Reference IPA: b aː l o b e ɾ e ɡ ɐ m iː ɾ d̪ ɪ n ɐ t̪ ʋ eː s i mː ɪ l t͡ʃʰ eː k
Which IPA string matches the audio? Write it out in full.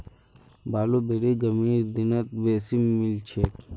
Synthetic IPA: b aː l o b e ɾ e ɡ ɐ m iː ɾ d̪ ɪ n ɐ t̪ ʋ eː s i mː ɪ l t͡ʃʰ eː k